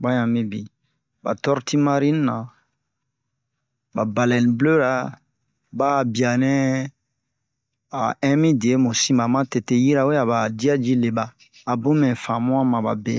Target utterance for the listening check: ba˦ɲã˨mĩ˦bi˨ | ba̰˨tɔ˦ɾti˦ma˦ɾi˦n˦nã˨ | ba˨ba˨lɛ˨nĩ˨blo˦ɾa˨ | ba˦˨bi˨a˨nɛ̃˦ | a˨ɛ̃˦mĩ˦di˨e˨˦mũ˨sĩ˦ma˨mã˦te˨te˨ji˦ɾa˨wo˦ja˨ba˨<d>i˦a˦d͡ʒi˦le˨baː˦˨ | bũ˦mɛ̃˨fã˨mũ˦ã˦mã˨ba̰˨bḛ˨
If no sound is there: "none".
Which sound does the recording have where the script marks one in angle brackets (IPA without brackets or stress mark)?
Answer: d